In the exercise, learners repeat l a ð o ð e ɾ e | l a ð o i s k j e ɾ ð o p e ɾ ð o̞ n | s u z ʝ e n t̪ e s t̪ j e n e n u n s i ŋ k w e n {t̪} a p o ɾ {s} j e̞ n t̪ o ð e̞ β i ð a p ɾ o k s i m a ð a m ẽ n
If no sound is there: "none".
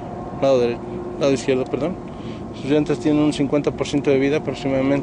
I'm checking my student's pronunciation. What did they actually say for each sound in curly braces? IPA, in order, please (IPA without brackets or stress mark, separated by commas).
t̪, s